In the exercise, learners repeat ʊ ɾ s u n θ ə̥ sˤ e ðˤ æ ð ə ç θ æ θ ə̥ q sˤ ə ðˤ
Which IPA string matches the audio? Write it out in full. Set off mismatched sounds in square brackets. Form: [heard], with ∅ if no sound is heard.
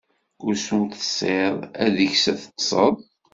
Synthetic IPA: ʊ ɾ s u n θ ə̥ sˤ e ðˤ æ ð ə ç [s] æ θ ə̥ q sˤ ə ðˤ